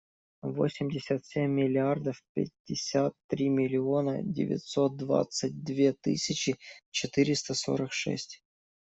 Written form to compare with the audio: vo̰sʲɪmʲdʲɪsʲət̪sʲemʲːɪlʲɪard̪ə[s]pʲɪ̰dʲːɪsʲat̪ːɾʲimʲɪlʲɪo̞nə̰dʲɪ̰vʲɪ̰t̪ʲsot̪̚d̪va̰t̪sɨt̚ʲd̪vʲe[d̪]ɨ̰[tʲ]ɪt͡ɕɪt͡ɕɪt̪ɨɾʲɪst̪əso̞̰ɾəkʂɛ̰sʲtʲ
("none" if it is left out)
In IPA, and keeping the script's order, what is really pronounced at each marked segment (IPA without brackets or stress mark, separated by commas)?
f, t̪, sʲ